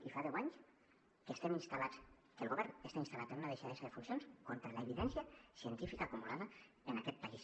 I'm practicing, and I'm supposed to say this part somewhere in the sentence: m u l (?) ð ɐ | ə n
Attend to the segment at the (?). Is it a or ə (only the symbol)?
a